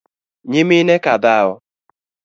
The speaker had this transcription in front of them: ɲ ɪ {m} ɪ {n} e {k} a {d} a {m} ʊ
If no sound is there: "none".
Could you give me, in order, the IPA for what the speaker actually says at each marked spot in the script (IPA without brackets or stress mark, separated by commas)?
m, n, k, d, none